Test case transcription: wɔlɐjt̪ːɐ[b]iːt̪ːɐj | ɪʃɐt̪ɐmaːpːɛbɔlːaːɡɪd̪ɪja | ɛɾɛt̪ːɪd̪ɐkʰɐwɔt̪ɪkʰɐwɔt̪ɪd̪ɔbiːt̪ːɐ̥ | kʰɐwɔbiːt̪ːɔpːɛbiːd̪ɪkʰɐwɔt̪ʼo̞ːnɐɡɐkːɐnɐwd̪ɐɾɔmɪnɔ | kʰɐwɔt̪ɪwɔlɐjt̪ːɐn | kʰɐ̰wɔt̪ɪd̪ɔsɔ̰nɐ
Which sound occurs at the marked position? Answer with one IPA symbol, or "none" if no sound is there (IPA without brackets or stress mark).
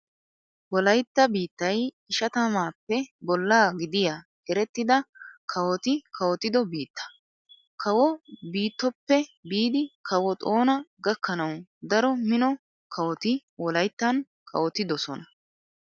b